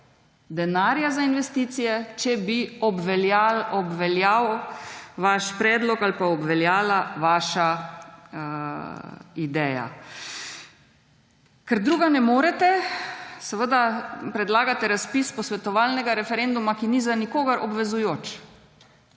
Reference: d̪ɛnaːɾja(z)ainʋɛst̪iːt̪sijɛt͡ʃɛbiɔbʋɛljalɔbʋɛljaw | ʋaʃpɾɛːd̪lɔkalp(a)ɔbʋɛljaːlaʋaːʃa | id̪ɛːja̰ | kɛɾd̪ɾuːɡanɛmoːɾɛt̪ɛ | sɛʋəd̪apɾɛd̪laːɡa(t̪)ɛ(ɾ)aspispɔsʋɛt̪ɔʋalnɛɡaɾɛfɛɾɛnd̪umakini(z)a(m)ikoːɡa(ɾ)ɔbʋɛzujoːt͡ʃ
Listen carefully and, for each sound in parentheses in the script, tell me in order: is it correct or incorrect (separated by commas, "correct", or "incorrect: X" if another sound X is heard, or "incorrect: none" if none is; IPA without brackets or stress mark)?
correct, correct, correct, correct, correct, incorrect: n, correct